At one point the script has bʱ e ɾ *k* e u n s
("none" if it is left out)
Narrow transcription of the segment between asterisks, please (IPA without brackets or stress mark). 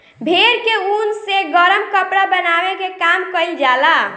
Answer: k